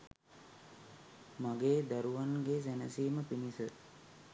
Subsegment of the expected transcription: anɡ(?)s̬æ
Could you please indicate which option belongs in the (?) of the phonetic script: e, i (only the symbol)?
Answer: e